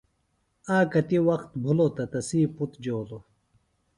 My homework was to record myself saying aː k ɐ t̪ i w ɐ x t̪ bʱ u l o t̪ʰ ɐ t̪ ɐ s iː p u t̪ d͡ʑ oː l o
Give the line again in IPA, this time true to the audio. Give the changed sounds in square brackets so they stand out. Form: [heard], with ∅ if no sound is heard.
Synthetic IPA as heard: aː k ɐ t̪ i w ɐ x t̪ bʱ u l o [t̪] ɐ t̪ ɐ s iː p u t̪ d͡ʑ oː l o